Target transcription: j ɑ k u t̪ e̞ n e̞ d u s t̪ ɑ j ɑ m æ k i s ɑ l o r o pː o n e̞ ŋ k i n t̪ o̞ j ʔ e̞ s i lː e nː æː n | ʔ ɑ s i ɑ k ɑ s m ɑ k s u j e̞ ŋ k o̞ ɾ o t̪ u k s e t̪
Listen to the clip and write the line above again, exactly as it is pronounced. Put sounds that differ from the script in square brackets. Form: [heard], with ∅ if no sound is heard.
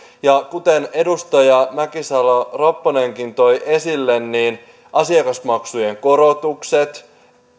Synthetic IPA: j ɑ k u t̪ e̞ n e̞ d u s t̪ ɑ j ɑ m æ k i s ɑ l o r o pː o n e̞ ŋ k i n t̪ o̞ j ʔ e̞ s i lː e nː [iː] n | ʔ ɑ s i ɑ k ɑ s m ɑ k s u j e̞ ŋ k o̞ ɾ o t̪ u k s e t̪